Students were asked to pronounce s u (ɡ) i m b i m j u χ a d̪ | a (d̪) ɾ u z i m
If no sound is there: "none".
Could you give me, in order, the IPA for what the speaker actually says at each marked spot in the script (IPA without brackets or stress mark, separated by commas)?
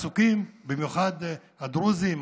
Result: k, d̪